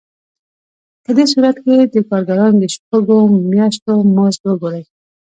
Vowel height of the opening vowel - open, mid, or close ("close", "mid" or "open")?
mid